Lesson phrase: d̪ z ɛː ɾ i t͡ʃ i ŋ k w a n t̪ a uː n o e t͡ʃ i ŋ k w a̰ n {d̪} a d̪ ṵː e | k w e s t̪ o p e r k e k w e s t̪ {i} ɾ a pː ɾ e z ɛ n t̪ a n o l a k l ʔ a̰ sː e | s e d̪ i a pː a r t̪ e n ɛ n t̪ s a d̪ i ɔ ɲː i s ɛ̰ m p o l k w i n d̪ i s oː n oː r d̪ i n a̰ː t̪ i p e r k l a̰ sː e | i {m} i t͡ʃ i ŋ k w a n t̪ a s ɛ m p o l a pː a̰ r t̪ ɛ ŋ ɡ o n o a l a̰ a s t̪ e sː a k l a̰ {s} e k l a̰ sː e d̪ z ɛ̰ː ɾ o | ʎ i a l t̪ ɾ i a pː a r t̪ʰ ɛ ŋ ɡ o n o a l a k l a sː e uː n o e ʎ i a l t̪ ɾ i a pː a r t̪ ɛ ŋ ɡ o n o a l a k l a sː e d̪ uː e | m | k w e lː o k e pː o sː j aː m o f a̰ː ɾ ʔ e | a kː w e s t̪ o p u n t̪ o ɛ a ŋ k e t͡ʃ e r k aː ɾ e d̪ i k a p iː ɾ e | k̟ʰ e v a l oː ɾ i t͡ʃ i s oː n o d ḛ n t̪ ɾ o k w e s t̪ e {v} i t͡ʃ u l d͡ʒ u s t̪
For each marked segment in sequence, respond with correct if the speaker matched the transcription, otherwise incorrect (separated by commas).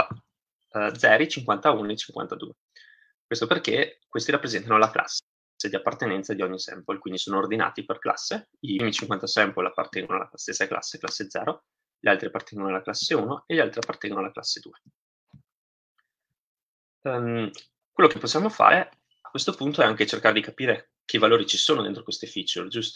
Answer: incorrect, correct, correct, incorrect, incorrect